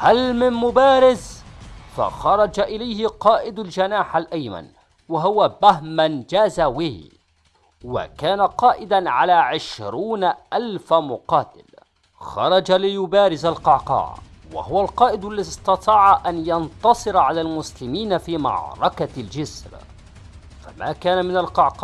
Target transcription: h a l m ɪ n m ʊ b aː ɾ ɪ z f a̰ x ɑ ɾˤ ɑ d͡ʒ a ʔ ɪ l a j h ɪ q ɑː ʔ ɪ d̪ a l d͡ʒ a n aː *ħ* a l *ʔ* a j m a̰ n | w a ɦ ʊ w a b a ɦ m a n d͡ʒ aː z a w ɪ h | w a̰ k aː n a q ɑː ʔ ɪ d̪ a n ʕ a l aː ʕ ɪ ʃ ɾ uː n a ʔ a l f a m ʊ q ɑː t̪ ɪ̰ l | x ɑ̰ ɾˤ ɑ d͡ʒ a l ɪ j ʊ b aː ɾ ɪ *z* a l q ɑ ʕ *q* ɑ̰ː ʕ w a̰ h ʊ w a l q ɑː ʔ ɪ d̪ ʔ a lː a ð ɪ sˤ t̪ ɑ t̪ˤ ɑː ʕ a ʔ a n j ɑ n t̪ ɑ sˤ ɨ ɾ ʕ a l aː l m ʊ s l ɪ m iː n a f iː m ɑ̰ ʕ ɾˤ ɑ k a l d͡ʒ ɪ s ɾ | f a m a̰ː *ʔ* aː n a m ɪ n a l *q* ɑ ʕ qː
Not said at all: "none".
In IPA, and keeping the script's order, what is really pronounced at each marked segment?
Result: ħ, ʔ, z, q, k, q

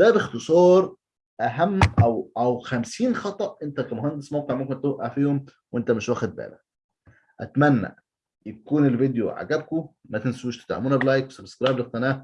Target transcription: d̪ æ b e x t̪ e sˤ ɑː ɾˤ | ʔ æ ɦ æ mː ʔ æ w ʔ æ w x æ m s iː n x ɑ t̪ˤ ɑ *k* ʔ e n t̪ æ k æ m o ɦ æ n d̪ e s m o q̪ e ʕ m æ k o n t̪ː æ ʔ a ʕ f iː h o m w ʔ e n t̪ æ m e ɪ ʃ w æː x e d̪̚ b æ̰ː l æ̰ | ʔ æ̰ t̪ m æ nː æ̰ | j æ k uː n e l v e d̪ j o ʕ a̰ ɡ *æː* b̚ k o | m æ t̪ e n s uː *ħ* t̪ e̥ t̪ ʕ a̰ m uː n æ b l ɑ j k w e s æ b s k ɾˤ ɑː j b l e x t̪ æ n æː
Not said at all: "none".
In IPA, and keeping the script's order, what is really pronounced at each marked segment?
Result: ʔ, æ, ʃ

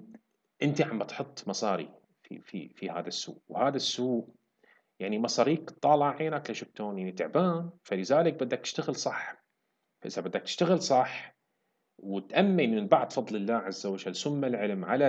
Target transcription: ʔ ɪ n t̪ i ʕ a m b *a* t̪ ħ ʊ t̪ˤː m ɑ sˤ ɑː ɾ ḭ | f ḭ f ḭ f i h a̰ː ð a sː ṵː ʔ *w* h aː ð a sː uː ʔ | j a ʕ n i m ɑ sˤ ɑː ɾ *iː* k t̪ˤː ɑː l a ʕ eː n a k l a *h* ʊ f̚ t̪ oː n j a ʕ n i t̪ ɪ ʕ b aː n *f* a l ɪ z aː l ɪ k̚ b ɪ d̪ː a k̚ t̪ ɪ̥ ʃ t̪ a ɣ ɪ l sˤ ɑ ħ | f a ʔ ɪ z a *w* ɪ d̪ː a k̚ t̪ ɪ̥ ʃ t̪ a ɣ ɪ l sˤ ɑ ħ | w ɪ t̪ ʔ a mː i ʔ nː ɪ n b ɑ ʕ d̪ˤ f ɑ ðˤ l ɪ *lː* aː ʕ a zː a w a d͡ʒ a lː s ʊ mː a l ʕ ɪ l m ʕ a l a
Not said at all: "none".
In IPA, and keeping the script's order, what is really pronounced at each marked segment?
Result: a, w, iː, ʃ, f, b, lː

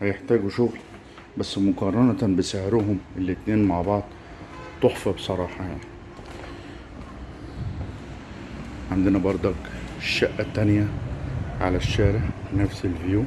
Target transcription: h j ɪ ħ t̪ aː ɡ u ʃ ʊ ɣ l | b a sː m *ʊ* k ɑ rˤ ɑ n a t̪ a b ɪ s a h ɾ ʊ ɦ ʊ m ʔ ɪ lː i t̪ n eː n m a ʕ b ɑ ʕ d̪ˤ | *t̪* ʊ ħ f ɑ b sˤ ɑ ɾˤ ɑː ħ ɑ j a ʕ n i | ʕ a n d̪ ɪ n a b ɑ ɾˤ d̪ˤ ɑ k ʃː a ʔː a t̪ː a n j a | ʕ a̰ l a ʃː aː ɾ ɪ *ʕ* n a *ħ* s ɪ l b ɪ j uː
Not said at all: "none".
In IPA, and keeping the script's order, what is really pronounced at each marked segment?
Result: ʊ, t̪, ʕ, f

